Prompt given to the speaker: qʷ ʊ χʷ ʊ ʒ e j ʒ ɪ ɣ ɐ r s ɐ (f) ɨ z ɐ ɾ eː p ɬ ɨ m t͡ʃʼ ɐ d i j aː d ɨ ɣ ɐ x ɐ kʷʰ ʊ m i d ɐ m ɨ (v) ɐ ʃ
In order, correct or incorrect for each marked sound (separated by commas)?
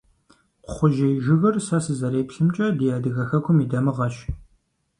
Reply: incorrect, incorrect